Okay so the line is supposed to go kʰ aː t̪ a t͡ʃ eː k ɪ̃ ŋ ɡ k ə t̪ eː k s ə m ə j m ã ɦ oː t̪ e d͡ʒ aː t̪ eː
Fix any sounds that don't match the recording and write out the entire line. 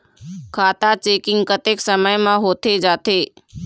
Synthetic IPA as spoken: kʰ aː t̪ a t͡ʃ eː k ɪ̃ ŋ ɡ k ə t̪ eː k s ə m ə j m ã ɦ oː t̪ e d͡ʒ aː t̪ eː